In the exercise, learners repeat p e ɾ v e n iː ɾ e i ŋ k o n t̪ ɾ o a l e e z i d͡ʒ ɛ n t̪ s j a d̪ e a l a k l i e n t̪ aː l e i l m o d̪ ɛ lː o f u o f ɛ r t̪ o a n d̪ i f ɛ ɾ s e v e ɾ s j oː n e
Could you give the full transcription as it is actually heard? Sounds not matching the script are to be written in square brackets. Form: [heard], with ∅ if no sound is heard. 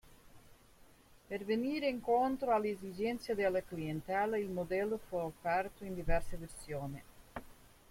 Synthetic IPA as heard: p e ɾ v e n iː ɾ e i ŋ k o n t̪ ɾ o a l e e z i d͡ʒ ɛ n t̪ s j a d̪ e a l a k l i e n t̪ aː l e i l m o d̪ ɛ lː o f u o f ɛ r t̪ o [i] n d̪ i [v] ɛ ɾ s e v e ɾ s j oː n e

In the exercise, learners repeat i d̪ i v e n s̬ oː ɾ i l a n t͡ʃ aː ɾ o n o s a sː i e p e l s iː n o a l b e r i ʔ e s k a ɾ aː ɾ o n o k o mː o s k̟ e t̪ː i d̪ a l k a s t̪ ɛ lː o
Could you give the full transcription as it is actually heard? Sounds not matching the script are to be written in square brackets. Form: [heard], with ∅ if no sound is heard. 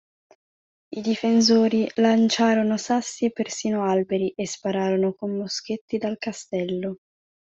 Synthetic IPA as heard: i d̪ i [f] e n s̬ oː ɾ i l a n t͡ʃ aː ɾ o n o s a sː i e p e [r] s iː n o a l b e [ɾ] i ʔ e s [p] a ɾ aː ɾ o n o k o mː o s k̟ e t̪ː i d̪ a l k a s t̪ ɛ lː o

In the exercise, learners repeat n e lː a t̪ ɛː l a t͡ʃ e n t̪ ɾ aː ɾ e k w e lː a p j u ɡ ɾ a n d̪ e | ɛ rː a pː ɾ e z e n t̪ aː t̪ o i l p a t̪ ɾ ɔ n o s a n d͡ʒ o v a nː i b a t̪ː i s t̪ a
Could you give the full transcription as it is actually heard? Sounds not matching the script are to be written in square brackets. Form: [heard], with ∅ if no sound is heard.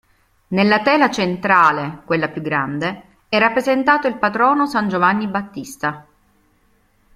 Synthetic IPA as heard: n e lː a t̪ ɛː l a t͡ʃ e n t̪ ɾ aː [l] e k w e lː a p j u ɡ ɾ a n d̪ e | ɛ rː a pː ɾ e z e n t̪ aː t̪ o i l p a t̪ ɾ [ɔː] n o s a n d͡ʒ o v a nː i b a t̪ː i s t̪ a

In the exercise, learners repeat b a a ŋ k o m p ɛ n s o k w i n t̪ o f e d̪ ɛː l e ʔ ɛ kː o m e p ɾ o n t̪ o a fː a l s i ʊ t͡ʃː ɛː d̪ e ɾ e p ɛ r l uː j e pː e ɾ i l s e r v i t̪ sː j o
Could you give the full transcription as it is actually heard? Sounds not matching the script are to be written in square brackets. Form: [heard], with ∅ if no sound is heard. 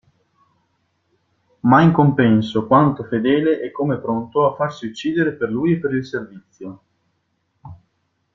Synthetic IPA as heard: [m] a [i] ŋ k o m p ɛ n s o k w [a] n t̪ o f e d̪ ɛː l e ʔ ɛ kː o m e p ɾ o n t̪ o a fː a [r] s i [u] t͡ʃː [iː] d̪ e ɾ e p [e] r l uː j e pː e ɾ i l s e r v i t̪ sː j o

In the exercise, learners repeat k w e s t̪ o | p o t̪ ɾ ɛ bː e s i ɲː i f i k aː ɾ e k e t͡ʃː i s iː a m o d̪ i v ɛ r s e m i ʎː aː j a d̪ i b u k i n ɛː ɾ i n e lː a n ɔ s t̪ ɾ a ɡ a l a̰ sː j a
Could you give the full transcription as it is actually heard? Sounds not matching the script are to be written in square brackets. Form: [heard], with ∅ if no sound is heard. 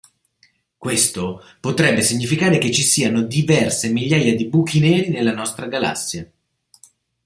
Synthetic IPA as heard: k w e s t̪ o | p o t̪ ɾ ɛ bː e s i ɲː i f i k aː ɾ e k e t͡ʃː i s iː a [n] o d̪ i v ɛ r s e m i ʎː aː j a d̪ i b u k i n ɛː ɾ i n e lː a n ɔ s t̪ ɾ a ɡ a l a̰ sː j a

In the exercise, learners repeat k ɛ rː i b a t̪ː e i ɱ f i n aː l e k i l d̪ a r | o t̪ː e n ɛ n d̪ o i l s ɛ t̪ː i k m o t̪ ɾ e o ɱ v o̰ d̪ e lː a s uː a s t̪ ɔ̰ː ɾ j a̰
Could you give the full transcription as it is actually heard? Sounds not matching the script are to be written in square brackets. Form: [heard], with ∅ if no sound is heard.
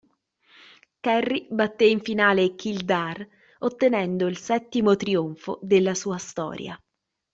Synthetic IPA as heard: k ɛ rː i b a t̪ː e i ɱ f i n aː l e k i l d̪ a r | o t̪ː e n ɛ n d̪ o i l s ɛ t̪ː i [∅] m o t̪ ɾ [i] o ɱ [f] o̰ d̪ e lː a s uː a s t̪ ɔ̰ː ɾ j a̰

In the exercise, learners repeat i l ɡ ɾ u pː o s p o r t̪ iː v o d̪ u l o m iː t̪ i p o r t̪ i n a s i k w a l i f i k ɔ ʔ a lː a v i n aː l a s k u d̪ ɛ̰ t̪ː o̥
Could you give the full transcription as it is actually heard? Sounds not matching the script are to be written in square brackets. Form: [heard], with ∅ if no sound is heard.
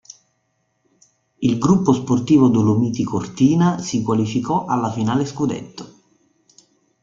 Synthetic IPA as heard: i l ɡ ɾ u pː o s p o r t̪ iː v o d̪ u l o m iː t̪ i [k] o r t̪ [iː] n a s i k w a l i f i k ɔ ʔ a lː a [f] i n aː l [e] s k u d̪ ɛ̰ t̪ː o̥

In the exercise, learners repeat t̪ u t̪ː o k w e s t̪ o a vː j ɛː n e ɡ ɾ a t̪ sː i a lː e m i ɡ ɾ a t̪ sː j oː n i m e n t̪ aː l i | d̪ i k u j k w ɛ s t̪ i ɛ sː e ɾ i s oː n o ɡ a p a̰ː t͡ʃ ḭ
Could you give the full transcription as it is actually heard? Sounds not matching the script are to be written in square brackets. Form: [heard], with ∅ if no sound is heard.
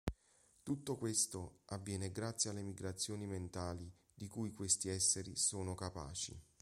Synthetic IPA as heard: t̪ u t̪ː o k w e s t̪ o a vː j ɛː n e ɡ ɾ a t̪ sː [j] a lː e m i ɡ ɾ a t̪ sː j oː n i m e n t̪ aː l i | d̪ i k u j k w [e] s t̪ i ɛ sː e ɾ i s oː n o [k] a p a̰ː t͡ʃ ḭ

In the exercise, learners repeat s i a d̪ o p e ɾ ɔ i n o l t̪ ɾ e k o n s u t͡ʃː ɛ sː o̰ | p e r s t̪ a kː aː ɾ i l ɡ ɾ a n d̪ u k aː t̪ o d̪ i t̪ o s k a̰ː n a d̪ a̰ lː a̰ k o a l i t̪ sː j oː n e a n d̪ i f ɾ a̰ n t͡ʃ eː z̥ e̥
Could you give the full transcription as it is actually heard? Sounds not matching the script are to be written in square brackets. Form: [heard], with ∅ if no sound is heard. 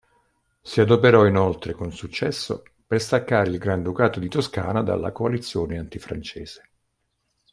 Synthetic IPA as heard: s i a d̪ o p e ɾ ɔ i n o l t̪ ɾ e k o n s u t͡ʃː ɛ sː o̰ | p e r s t̪ a kː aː ɾ i l ɡ ɾ a n d̪ u k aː t̪ o d̪ i t̪ o s k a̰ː n a d̪ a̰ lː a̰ k o a l i t̪ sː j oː n e a n [t̪] i f ɾ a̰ n t͡ʃ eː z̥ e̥

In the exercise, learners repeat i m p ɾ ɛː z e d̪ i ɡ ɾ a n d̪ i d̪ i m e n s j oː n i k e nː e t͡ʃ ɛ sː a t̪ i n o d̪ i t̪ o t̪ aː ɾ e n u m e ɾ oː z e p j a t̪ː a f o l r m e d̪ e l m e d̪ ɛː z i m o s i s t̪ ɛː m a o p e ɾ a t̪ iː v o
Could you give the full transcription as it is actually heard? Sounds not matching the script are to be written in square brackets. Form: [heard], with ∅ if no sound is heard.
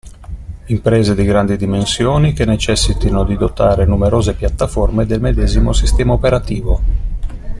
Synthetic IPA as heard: i m p ɾ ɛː z e d̪ i ɡ ɾ a n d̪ i d̪ i m e n s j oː n i k e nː e t͡ʃ ɛ sː [i] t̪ i n o d̪ i [d̪] o t̪ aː ɾ e n u m e ɾ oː z e p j a t̪ː a f o [∅] r m e d̪ e l m e d̪ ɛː z i m o s i s t̪ ɛː m a o p e ɾ a t̪ iː v o

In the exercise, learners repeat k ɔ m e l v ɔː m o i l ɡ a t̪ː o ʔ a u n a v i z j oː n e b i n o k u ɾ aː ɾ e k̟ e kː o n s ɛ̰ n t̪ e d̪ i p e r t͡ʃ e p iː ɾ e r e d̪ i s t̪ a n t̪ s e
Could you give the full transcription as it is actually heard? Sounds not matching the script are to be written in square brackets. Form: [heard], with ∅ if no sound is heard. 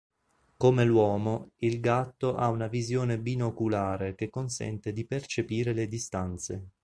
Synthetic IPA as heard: k [o] m e l [w] ɔː m o i l ɡ a t̪ː o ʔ a u n a v i z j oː n e b i n o k u [l] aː ɾ e k̟ e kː o n s ɛ̰ n t̪ e d̪ i p e r t͡ʃ e p iː ɾ e [l] e d̪ i s t̪ a n t̪ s e

